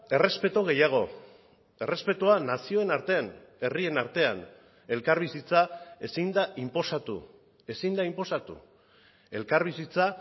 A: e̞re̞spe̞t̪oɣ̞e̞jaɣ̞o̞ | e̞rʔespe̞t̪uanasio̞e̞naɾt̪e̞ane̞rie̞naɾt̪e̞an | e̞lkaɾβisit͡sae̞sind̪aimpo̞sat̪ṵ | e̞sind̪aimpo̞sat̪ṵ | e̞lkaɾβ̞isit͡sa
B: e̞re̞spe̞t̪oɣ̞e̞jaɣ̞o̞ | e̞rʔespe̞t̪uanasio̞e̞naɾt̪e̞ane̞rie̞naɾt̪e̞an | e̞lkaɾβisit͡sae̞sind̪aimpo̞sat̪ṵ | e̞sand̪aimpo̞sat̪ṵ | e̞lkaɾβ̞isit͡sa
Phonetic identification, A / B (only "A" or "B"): A